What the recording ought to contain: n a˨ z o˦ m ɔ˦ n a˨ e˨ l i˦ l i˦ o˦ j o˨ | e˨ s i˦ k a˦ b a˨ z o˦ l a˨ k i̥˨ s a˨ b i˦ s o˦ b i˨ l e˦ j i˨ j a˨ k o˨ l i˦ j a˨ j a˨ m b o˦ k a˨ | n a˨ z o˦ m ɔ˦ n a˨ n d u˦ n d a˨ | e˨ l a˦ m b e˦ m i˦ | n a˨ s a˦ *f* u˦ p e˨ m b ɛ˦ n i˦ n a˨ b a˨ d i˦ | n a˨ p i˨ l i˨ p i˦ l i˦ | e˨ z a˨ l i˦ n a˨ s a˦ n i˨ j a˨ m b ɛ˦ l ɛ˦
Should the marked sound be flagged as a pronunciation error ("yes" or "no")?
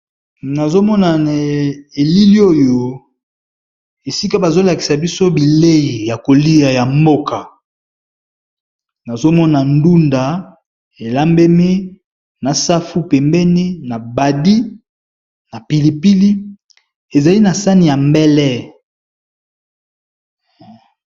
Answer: no